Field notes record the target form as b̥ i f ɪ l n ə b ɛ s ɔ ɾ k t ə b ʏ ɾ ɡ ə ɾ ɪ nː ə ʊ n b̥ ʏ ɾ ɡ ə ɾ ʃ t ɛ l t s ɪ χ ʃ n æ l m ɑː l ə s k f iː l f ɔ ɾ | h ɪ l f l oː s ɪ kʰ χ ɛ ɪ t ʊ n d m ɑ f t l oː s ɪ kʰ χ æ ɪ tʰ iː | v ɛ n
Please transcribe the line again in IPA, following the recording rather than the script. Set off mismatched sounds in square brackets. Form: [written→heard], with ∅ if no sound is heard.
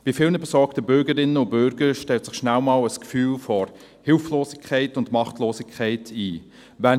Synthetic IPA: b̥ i f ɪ l n ə b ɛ s ɔ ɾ k t ə b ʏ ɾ ɡ ə ɾ ɪ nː ə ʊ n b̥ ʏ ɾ ɡ ə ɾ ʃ t ɛ l t s ɪ χ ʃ n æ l m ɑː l ə s k f [iː→yː] l f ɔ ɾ | h ɪ l f l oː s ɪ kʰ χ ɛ ɪ t ʊ n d m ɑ [f→χ] t l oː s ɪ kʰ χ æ ɪ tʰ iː | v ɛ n